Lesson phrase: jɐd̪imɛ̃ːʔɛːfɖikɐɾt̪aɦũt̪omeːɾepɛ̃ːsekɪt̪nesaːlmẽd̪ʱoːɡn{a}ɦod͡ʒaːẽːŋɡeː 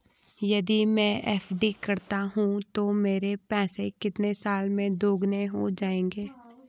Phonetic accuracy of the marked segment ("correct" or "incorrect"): incorrect